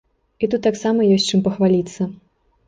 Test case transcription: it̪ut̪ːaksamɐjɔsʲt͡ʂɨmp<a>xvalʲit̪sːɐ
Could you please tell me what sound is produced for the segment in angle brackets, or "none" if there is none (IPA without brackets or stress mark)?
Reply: ɐ